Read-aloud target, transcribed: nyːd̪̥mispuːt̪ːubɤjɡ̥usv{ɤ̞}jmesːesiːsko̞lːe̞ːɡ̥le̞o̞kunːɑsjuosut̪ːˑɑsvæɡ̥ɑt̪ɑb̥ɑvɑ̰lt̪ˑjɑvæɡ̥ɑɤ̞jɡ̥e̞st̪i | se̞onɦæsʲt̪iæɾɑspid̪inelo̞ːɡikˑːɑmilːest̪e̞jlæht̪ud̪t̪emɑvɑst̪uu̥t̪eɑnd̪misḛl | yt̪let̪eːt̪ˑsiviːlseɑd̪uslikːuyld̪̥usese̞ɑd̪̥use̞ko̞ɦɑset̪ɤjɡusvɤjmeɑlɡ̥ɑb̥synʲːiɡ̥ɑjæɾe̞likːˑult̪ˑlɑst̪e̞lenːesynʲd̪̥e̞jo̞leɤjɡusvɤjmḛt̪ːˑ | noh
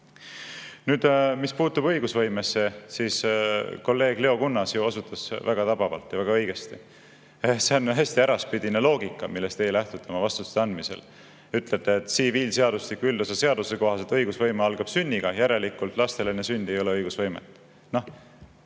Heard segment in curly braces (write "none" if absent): ɤ̞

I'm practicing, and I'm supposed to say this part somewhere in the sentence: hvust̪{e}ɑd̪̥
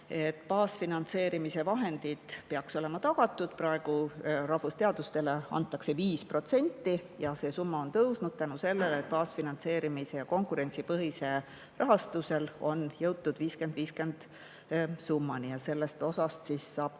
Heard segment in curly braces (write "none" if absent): e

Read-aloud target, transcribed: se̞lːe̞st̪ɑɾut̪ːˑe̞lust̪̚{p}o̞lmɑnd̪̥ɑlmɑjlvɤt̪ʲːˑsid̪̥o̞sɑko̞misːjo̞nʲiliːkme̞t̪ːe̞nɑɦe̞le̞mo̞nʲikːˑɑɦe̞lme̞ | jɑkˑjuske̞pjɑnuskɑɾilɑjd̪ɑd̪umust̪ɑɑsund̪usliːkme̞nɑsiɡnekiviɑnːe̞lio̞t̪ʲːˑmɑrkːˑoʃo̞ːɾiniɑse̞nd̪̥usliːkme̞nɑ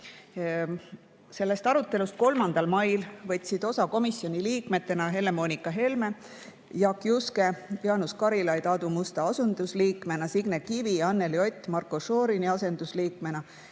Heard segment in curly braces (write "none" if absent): k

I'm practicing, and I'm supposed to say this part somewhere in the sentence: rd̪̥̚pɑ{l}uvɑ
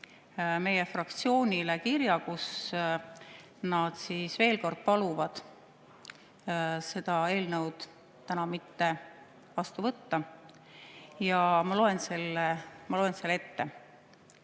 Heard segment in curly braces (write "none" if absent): l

